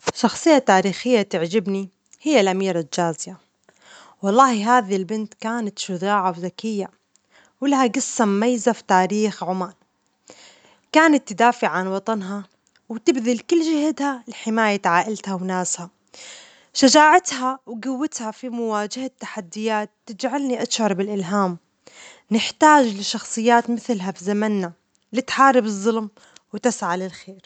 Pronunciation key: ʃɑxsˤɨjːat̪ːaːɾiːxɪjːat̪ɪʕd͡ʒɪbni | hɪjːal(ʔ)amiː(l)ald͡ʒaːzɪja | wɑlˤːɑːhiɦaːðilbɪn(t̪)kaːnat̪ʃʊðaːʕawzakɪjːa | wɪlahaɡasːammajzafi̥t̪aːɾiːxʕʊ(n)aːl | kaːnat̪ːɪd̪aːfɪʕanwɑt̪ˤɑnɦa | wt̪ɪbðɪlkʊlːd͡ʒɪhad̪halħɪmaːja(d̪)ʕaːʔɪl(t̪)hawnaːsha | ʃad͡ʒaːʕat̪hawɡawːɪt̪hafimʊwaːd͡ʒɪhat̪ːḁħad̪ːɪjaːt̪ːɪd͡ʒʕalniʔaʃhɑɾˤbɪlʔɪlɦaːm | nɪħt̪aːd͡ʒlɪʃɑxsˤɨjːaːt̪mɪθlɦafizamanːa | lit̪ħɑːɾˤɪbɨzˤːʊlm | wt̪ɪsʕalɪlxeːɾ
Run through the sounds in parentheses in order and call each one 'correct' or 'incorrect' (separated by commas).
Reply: correct, incorrect, correct, incorrect, incorrect, correct